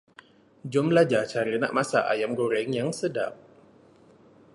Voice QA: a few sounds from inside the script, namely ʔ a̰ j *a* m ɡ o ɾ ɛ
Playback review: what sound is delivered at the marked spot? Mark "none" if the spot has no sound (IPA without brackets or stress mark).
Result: a